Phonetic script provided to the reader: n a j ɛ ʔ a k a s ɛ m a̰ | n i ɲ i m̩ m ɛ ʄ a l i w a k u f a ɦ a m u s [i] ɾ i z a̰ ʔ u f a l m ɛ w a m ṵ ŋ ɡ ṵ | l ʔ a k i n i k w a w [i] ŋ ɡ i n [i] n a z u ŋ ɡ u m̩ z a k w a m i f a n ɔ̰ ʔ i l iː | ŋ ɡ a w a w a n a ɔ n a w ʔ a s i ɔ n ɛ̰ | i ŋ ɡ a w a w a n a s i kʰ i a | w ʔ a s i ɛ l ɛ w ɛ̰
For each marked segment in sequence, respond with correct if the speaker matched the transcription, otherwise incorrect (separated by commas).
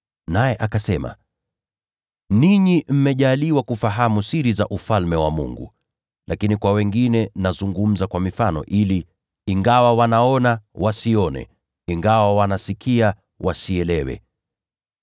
correct, incorrect, incorrect